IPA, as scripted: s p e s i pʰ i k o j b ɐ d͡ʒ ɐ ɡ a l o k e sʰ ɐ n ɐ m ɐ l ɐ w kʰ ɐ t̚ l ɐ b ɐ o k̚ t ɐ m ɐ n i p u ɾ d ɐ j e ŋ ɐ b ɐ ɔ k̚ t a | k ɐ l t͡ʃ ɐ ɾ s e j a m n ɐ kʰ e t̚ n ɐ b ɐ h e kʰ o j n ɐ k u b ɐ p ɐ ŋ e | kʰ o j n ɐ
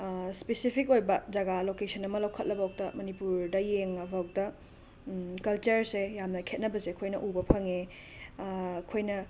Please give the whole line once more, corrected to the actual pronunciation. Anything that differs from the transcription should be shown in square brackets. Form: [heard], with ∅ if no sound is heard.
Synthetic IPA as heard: s p e s i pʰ i k o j b ɐ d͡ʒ ɐ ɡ a l o k e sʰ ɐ n ɐ m ɐ l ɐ w kʰ ɐ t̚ l ɐ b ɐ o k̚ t ɐ m ɐ n i p u ɾ d ɐ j e ŋ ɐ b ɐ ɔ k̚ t [ɐ] | k ɐ l t͡ʃ ɐ ɾ s e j a m n ɐ kʰ e t̚ n ɐ b ɐ [s] e kʰ o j n ɐ [ʔ] u b ɐ [pʰ] ɐ ŋ e | kʰ o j n ɐ